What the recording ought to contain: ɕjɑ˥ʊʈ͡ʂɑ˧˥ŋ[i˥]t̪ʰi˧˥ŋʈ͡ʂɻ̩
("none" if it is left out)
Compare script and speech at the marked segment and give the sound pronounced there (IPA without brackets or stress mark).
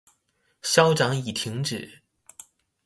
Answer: i˨˩